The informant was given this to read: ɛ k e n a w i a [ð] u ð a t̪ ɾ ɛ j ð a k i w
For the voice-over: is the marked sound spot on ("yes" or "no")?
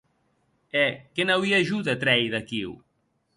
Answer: no